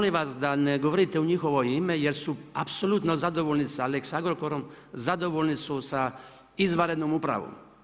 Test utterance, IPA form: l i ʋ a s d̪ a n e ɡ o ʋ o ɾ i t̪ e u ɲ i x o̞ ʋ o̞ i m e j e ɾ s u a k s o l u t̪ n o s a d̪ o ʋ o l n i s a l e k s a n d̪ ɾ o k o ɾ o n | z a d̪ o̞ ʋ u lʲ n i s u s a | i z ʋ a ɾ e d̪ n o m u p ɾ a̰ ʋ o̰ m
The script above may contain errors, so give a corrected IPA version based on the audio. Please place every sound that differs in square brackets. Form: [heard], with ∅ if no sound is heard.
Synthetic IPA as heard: l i ʋ a s d̪ a n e ɡ o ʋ o ɾ i t̪ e u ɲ i x o̞ ʋ o̞ i m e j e ɾ s u a [p] s o l u t̪ n o [z] a d̪ o ʋ o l n i s a l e k s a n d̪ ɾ o k o ɾ o [m] | z a d̪ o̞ ʋ [o] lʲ n i s u s a | i z ʋ a ɾ e d̪ n o m u p ɾ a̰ ʋ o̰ m